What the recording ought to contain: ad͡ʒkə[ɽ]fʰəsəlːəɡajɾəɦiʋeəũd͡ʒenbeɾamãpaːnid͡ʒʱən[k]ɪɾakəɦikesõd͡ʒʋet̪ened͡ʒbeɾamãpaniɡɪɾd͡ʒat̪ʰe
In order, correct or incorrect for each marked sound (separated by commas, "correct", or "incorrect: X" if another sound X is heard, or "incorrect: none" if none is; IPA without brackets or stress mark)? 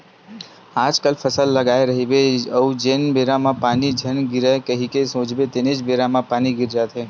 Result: incorrect: l, incorrect: ɡ